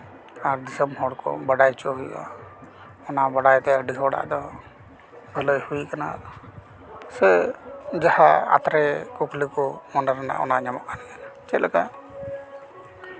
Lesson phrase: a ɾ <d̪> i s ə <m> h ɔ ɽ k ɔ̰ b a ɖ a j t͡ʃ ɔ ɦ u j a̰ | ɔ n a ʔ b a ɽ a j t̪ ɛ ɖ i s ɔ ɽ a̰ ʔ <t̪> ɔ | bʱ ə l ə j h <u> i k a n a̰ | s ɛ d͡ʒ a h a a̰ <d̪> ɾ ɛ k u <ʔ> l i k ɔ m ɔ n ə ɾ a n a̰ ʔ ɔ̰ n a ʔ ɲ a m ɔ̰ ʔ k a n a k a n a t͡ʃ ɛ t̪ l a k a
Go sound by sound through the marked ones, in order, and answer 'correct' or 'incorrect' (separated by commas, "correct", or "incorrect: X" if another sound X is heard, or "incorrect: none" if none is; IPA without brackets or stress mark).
correct, correct, incorrect: d̪, correct, incorrect: t̪, incorrect: k